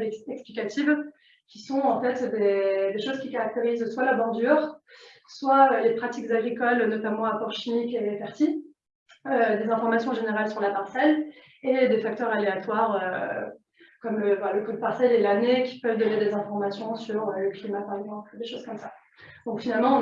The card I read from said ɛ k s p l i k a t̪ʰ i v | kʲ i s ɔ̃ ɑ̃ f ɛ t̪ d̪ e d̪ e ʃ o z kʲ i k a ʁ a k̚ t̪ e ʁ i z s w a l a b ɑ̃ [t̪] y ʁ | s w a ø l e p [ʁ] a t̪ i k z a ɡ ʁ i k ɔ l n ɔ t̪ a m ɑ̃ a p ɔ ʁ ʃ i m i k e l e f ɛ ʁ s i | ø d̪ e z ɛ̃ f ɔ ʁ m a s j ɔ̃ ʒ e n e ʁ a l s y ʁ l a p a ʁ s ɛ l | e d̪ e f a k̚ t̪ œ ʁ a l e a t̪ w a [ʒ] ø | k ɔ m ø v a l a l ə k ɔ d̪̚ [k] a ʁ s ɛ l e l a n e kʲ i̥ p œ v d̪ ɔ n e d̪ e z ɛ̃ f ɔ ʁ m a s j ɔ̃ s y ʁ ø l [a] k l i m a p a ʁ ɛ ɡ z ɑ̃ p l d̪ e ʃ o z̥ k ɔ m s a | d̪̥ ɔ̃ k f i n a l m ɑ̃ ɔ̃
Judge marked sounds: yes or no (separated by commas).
no, no, no, no, no